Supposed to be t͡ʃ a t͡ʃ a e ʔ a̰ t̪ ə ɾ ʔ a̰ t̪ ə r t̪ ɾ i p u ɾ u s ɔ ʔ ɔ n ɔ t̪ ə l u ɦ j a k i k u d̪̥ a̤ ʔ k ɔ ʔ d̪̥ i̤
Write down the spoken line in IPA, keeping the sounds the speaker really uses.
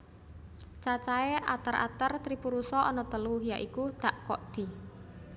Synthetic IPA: t͡ʃ a t͡ʃ a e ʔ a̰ t̪ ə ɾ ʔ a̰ t̪ ə r t̪ ɾ i p u ɾ u s ɔ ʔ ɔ n ɔ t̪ ə l u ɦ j a ʔ i k u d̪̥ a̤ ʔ k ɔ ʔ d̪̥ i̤